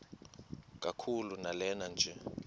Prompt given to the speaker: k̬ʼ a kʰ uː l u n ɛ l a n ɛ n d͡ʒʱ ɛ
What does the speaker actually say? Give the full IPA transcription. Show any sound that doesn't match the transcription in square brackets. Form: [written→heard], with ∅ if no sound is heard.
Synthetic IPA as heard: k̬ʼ a kʰ [uː→u] l u n [ɛ→a] l [a→ɛ] n [ɛ→a] n d͡ʒʱ ɛ